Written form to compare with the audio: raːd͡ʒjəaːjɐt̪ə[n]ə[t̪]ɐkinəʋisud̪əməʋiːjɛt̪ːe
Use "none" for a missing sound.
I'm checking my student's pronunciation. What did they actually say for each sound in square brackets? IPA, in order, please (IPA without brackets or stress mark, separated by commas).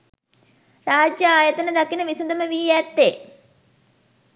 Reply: n, d̪